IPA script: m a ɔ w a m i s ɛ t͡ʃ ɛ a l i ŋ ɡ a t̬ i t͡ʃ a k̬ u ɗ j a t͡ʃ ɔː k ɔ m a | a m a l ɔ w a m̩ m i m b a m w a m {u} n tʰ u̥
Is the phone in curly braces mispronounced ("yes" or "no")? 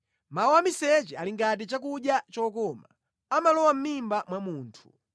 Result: yes